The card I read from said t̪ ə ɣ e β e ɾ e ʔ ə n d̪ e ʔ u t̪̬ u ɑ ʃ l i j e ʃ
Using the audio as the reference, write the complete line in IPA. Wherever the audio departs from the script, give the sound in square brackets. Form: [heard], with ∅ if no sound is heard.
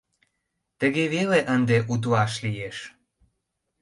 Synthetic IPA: t̪ ə ɣ e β e [l] e ʔ ə n d̪ e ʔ u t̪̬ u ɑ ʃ l i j e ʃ